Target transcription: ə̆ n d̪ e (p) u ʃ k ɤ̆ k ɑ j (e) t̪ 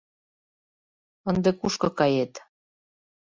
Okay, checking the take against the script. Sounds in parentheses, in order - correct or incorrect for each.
incorrect, correct

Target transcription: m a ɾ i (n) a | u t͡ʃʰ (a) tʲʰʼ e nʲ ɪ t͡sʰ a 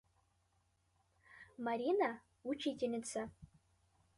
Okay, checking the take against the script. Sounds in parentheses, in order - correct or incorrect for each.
correct, incorrect

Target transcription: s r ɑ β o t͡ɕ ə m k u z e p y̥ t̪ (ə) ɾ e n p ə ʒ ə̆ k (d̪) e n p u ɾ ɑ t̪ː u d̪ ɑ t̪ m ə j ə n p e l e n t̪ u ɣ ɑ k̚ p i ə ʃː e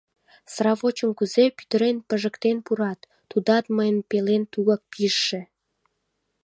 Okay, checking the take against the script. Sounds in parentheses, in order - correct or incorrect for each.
correct, incorrect

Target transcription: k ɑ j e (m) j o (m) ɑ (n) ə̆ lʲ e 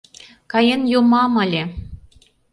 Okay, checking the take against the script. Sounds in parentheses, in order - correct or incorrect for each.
incorrect, correct, incorrect

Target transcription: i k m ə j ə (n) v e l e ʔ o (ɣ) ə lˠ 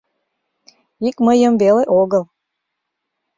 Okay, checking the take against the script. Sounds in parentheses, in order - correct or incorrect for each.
incorrect, correct

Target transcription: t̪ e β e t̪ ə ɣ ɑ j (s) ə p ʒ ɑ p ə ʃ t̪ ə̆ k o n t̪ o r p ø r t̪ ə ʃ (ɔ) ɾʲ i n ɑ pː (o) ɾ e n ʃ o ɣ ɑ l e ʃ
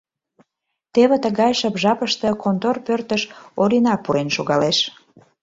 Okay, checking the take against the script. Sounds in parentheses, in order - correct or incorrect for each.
incorrect, incorrect, incorrect

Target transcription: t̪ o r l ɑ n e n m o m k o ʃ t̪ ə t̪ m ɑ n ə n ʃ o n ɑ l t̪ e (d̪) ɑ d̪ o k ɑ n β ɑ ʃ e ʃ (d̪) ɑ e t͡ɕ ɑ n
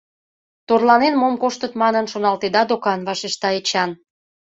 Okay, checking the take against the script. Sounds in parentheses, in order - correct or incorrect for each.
correct, incorrect

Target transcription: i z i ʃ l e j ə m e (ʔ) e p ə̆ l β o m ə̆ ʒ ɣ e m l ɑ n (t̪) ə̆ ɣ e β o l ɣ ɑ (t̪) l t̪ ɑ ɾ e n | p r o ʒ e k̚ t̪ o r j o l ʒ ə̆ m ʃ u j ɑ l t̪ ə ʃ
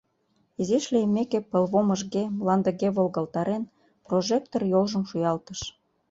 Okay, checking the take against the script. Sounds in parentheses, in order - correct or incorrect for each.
incorrect, incorrect, incorrect

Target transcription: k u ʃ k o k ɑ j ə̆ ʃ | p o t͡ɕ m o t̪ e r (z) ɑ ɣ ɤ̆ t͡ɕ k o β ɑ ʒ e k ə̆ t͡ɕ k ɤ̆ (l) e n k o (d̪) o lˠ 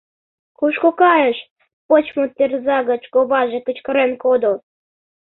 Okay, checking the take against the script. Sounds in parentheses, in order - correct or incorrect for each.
correct, incorrect, correct

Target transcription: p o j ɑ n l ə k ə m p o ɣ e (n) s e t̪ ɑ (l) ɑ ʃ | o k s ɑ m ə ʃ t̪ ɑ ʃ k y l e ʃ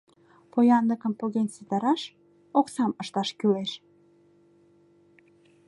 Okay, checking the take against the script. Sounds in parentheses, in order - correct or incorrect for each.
correct, incorrect

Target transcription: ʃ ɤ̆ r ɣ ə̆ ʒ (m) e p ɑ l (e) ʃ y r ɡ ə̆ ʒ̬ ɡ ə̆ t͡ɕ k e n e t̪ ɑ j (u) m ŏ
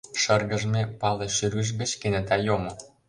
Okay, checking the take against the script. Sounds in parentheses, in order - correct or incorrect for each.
correct, correct, incorrect

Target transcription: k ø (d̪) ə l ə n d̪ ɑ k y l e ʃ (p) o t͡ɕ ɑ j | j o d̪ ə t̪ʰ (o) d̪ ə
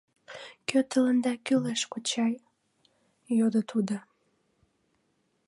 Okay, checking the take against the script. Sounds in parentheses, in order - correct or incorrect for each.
incorrect, incorrect, incorrect

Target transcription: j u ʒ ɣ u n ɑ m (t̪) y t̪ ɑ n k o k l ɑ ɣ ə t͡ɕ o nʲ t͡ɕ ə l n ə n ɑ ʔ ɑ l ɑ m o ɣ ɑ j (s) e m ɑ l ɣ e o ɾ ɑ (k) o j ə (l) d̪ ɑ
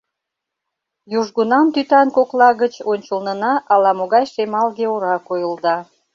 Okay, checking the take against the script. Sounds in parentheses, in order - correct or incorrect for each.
correct, incorrect, correct, correct

